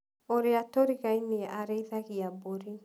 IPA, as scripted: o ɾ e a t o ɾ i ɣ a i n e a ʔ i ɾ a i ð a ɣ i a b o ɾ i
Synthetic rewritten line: o ɾ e a t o ɾ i ɣ a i n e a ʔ a ɾ e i ð a ɣ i a b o ɾ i